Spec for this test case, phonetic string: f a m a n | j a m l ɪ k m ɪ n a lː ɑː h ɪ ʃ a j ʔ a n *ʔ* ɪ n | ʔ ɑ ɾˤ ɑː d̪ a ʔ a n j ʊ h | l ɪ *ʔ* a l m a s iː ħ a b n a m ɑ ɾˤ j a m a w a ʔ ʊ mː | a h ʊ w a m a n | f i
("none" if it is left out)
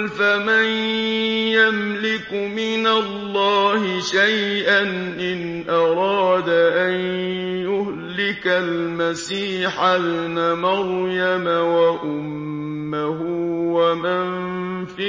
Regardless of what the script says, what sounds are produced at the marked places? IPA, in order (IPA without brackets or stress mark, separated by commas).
ʔ, k